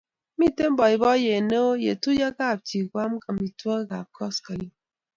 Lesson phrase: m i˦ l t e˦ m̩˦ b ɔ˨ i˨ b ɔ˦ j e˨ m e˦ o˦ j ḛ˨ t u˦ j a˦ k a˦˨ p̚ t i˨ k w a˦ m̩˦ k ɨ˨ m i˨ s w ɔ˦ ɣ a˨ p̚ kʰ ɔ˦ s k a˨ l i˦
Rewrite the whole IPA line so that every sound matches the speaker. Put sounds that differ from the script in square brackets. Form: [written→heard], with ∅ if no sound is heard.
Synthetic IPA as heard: m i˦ [l→∅] t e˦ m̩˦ b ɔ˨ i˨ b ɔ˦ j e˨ [m→n] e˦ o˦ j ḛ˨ t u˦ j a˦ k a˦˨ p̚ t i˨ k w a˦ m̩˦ k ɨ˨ m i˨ [s→t] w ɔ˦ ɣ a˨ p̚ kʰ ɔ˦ s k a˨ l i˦